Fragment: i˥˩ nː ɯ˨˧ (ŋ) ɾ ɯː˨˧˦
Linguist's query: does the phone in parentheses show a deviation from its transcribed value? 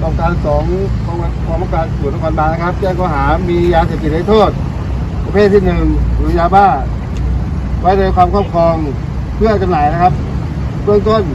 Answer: no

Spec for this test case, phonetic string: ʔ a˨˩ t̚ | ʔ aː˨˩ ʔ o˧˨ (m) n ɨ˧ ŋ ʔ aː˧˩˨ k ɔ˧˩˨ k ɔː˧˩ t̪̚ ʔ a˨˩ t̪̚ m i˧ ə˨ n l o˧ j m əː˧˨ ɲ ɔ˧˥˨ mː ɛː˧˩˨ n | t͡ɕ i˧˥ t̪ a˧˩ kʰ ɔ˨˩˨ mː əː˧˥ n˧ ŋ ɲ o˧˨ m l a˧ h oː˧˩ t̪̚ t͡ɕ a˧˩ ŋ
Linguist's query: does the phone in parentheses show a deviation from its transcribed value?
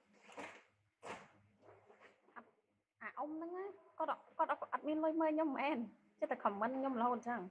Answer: no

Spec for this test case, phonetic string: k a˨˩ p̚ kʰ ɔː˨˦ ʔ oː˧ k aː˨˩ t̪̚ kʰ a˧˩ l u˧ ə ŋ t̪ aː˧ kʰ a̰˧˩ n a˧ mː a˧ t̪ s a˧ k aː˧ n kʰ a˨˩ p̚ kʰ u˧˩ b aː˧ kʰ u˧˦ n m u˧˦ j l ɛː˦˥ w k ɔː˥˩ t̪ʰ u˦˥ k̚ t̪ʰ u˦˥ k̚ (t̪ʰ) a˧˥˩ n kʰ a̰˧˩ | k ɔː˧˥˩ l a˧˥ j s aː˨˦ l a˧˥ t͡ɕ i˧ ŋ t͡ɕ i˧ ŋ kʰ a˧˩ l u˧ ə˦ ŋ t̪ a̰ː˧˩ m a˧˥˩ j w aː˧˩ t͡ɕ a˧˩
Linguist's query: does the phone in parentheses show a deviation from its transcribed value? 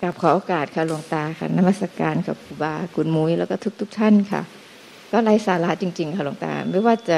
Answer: no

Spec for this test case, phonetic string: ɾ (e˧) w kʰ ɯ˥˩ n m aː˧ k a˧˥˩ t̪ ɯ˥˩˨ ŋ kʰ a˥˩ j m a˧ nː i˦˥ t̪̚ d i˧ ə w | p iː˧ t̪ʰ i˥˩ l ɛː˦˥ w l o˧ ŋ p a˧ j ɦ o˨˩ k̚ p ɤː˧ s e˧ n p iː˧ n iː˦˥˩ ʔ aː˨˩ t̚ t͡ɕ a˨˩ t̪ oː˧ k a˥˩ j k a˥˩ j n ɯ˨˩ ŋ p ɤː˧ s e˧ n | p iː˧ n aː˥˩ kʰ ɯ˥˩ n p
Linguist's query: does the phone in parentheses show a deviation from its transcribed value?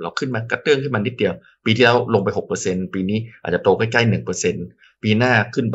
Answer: yes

